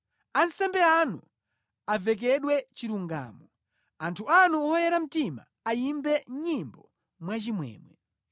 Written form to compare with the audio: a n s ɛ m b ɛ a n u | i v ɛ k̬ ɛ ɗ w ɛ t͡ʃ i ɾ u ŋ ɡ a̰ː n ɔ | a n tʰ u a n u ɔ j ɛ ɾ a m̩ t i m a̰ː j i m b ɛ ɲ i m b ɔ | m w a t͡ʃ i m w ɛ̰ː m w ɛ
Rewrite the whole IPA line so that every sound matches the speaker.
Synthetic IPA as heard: a n s ɛ m b ɛ a n u | a v ɛ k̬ ɛ ɗ w ɛ t͡ʃ i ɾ u ŋ ɡ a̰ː m ɔ | a n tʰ u a n u ɔ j ɛ ɾ a m̩ t i m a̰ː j i m b ɛ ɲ i m b ɔ | m w a t͡ʃ i m w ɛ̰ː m w ɛ